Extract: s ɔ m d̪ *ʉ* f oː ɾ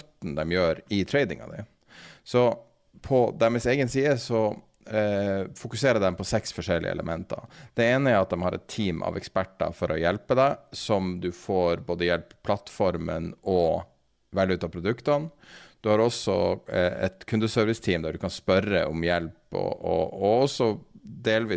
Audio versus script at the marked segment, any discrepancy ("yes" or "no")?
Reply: no